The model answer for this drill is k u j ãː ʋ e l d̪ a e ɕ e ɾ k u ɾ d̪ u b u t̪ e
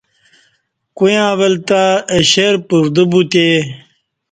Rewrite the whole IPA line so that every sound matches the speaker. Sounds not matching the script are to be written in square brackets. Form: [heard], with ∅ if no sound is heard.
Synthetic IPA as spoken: k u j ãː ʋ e l [t̪] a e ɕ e ɾ [p] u ɾ d̪ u b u t̪ e